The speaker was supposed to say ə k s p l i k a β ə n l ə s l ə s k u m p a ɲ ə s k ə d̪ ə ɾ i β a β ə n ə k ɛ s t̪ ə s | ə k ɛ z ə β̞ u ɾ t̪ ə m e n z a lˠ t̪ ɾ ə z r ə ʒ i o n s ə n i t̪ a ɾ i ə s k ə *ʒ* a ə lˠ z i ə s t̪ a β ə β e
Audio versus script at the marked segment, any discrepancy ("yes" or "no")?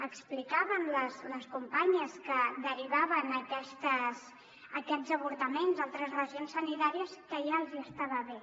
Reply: no